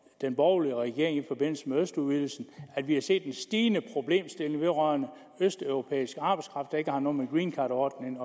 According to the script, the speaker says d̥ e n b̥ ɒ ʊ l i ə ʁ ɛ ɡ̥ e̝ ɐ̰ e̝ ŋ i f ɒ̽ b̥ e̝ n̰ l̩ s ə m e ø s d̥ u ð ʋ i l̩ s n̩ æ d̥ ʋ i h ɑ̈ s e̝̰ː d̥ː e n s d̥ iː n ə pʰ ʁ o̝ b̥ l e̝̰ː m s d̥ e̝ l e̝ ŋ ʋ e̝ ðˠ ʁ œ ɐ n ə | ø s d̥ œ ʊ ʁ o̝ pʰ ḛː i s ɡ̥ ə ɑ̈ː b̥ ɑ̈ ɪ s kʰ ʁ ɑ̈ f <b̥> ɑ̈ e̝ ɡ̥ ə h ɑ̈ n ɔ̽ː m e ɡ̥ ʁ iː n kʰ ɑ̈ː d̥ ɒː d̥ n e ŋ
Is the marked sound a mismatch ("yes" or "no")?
yes